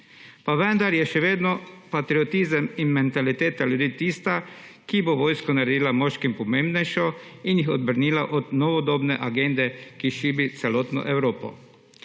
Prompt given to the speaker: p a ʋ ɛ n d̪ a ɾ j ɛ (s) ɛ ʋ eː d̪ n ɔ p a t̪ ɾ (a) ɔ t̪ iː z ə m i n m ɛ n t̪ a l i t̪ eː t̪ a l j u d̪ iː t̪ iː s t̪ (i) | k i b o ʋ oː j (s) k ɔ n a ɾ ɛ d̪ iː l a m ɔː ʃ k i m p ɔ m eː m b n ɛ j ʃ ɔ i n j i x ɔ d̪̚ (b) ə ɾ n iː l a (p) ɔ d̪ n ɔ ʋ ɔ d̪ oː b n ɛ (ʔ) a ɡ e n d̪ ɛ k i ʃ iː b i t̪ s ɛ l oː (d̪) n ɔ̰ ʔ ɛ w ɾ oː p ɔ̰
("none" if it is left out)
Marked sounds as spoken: ʃ, i, a, s, b, ʔ, ʔ, t̪

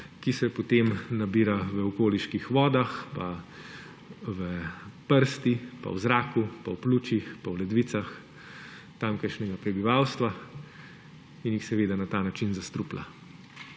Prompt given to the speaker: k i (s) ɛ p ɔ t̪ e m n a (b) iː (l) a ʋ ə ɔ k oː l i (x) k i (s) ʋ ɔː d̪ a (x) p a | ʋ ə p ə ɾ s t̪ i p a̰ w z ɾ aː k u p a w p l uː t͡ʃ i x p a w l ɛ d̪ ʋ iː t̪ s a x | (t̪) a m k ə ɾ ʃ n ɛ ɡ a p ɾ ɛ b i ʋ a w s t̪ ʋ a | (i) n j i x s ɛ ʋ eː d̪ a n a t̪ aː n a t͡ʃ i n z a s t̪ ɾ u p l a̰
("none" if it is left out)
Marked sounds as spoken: s, b, ɾ, ʃ, x, x, t̪, i

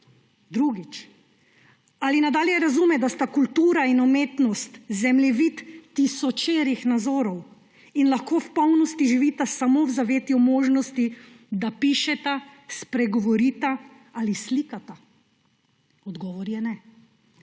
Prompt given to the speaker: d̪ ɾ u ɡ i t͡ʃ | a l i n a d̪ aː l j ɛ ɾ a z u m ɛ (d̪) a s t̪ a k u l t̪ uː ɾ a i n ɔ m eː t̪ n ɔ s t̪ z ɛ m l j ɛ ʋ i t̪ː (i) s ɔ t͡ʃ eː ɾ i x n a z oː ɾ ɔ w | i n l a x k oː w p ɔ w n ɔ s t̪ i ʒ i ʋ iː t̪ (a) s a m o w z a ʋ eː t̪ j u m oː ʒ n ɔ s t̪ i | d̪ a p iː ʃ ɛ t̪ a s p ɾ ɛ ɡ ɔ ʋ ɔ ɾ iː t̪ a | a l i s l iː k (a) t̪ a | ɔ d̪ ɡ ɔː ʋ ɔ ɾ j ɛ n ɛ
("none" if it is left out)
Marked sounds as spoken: d̪, i, a, a

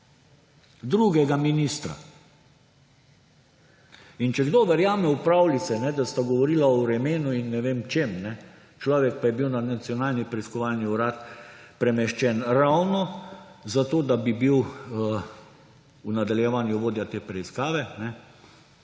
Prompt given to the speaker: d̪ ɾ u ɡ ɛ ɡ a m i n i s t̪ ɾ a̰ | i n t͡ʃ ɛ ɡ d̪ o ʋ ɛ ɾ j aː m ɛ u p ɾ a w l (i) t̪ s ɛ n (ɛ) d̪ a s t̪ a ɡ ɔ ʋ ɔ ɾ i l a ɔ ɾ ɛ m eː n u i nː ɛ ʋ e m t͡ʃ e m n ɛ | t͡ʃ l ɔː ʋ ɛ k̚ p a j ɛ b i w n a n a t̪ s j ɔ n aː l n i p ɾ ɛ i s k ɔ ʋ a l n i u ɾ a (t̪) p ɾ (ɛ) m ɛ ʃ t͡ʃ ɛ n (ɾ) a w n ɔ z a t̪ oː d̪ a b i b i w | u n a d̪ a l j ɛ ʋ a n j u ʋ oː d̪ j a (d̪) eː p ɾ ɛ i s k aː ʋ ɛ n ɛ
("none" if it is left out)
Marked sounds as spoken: i, ɛ, t̪, ɛ, ɾ, t̪

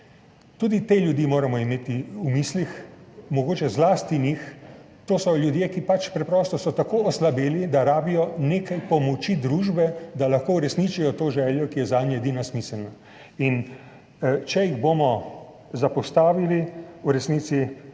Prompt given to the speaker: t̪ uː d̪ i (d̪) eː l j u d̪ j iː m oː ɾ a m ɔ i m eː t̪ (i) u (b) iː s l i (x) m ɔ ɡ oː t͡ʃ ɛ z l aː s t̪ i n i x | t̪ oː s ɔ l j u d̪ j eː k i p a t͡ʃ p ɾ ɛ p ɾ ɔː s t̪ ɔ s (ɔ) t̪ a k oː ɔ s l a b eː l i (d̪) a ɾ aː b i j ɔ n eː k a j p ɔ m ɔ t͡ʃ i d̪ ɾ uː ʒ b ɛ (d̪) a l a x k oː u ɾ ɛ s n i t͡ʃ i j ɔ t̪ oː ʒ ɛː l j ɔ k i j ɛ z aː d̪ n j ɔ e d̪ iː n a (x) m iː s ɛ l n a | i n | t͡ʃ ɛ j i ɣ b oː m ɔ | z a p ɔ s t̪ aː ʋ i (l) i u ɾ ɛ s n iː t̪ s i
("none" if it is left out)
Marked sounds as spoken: t̪, i, m, x, ɔ, d̪, d̪, s, l

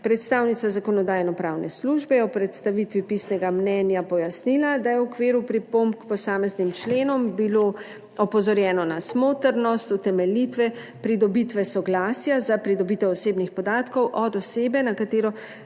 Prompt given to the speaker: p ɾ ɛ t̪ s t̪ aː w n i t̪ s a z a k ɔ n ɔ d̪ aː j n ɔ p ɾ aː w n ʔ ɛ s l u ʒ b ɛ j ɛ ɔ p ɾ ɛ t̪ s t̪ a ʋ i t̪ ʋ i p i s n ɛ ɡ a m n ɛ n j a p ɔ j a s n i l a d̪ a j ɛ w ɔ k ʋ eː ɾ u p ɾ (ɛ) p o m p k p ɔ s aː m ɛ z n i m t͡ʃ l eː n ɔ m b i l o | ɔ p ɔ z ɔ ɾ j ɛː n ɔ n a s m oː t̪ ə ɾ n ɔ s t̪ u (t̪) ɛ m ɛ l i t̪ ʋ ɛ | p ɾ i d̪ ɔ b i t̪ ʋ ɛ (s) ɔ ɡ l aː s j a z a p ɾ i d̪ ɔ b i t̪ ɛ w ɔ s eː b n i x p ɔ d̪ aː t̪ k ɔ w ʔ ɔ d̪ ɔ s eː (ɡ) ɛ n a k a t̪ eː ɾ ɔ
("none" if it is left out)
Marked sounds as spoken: i, t̪, s, b

